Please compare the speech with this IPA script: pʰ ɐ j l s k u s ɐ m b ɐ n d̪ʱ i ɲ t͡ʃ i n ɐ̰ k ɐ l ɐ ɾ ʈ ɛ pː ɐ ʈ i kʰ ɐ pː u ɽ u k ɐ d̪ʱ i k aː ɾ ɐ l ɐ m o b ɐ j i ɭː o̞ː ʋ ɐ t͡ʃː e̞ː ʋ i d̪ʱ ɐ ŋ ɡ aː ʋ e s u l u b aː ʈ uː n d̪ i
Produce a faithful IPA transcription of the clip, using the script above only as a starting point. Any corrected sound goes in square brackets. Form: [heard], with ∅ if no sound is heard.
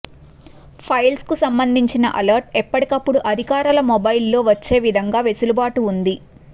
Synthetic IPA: pʰ ɐ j l s k u s ɐ m b ɐ n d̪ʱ i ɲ t͡ʃ i n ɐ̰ [ʔ] ɐ l ɐ ɾ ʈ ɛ pː ɐ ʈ i [k] ɐ pː u ɽ u [ʔ] ɐ d̪ʱ i k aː ɾ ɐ l ɐ m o b ɐ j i [lː] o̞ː ʋ ɐ t͡ʃː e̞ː ʋ i d̪ʱ ɐ ŋ ɡ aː ʋ e s u l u b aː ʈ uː n d̪ i

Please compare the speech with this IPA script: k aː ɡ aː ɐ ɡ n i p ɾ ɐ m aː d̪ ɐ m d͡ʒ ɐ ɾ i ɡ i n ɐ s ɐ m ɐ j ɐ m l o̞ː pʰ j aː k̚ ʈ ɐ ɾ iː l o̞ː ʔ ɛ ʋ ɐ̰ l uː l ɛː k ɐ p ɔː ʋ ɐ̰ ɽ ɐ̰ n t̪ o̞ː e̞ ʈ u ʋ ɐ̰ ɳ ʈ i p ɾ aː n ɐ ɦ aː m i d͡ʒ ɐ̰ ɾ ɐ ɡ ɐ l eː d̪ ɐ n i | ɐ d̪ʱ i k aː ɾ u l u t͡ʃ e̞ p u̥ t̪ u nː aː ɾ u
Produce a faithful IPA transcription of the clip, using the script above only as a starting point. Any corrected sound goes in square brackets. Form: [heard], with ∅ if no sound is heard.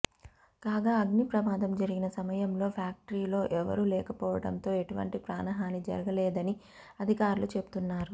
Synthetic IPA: k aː ɡ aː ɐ ɡ n i p ɾ ɐ m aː d̪ ɐ m d͡ʒ ɐ ɾ i ɡ i n ɐ s ɐ m ɐ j ɐ m l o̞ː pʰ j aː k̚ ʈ ɐ ɾ iː l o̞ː ʔ ɛ ʋ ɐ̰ [ɾ] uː l ɛː k ɐ p ɔː ʋ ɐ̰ ɽ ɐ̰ n t̪ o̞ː e̞ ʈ u ʋ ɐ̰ ɳ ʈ i p ɾ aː n ɐ ɦ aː [n] i d͡ʒ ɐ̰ ɾ ɐ ɡ ɐ l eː d̪ ɐ n i | ɐ d̪ʱ i k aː ɾ u l u t͡ʃ e̞ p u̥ t̪ u nː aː ɾ u

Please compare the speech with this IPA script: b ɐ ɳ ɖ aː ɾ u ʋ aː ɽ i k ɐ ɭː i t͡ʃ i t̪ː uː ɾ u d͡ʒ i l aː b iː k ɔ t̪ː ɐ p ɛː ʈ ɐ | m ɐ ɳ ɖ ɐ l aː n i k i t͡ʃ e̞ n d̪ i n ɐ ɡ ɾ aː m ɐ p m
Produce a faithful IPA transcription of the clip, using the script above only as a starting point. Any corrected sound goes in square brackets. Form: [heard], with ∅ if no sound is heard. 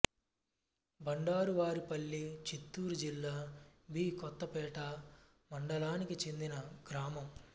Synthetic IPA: b ɐ ɳ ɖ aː ɾ u ʋ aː [ɾ] i [p] ɐ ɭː i t͡ʃ i t̪ː uː ɾ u d͡ʒ i [lː] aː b iː k ɔ t̪ː ɐ p ɛː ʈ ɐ | m ɐ ɳ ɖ ɐ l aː n i k i t͡ʃ e̞ n d̪ i n ɐ ɡ ɾ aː m ɐ [∅] m

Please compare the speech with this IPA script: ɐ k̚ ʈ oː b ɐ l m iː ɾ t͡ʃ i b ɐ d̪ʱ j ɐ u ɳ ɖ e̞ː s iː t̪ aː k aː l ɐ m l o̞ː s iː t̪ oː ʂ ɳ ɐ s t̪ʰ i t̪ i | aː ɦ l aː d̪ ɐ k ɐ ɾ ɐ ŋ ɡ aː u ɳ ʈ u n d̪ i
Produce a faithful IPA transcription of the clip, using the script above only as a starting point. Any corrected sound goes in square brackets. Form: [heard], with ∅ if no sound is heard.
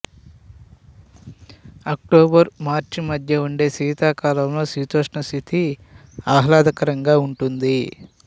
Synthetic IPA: ɐ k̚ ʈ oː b ɐ [ɾ] m [aː] ɾ t͡ʃ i [m] ɐ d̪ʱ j ɐ u ɳ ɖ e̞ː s iː t̪ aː k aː l ɐ m l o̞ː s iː t̪ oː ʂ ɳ ɐ s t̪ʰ i t̪ i | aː ɦ l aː d̪ ɐ k ɐ ɾ ɐ ŋ ɡ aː u ɳ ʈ u n d̪ i

